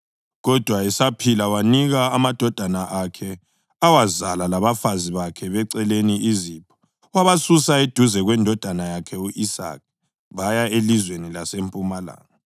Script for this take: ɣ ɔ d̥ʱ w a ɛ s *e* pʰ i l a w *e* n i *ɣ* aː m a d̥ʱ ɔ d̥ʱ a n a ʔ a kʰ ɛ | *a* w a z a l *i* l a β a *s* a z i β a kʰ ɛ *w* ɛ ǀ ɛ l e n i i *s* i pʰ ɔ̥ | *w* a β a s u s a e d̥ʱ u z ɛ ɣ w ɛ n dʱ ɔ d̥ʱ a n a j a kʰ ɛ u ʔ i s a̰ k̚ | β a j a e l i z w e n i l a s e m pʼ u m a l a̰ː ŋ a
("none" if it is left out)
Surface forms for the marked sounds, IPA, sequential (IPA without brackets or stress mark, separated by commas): a, a, ɣ, a, a, f, β, z, w